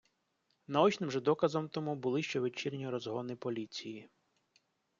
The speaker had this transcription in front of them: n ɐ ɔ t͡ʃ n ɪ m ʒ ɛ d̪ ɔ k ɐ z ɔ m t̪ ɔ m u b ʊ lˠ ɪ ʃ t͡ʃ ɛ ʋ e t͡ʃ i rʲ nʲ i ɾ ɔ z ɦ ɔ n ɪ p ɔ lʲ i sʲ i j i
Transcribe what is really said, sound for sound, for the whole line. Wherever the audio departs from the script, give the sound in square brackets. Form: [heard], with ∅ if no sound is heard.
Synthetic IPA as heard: n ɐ ɔ t͡ʃ n ɪ m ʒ ɛ d̪ ɔ k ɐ z ɔ m t̪ ɔ m u b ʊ lˠ ɪ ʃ t͡ʃ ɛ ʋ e t͡ʃ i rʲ nʲ i ɾ ɔ z ɦ ɔ n ɪ p ɔ lʲ i [t͡sʲ] i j i